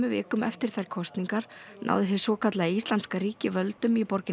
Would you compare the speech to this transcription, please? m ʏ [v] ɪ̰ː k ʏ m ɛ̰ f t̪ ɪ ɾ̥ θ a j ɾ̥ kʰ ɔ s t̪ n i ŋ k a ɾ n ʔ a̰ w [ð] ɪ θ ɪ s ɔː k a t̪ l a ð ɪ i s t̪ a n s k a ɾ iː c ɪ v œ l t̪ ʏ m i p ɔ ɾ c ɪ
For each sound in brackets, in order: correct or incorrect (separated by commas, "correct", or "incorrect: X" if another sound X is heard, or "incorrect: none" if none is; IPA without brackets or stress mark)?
correct, correct